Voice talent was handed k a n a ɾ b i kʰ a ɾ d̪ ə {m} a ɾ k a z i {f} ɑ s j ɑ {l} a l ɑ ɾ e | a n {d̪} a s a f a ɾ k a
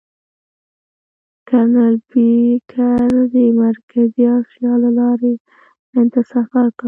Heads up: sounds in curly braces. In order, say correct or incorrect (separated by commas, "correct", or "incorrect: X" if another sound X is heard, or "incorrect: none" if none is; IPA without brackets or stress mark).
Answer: correct, incorrect: none, correct, incorrect: t̪